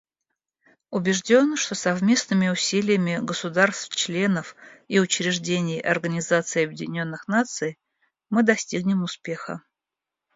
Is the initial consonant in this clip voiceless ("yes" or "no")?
no